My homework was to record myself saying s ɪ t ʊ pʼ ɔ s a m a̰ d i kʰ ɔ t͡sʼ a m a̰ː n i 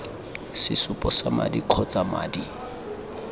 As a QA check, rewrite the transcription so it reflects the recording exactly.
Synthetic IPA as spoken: s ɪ s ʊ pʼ ɔ s a m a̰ d i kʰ ɔ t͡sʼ a m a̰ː d i